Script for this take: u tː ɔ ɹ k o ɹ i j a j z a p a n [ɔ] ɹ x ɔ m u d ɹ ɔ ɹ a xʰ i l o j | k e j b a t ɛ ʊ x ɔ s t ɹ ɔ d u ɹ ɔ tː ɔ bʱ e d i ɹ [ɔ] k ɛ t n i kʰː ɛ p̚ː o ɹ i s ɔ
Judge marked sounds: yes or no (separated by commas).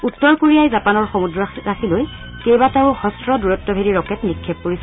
yes, yes